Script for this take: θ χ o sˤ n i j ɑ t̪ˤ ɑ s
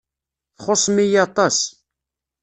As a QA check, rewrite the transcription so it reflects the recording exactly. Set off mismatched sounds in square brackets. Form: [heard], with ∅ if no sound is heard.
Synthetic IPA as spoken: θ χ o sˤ [m] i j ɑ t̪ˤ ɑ s